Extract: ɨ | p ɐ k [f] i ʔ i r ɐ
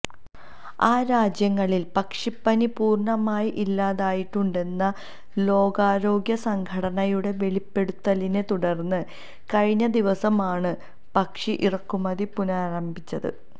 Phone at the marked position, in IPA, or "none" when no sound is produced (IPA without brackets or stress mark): ʂ